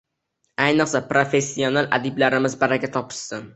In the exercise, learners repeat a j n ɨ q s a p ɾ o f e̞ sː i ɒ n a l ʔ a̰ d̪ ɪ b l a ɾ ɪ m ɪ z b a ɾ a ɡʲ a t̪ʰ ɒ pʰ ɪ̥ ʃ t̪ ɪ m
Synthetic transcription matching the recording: a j n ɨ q s a p ɾ o f e̞ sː i o n a l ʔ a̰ d̪ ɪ b l a ɾ ɪ m ɪ z b a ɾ a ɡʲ a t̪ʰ ɒ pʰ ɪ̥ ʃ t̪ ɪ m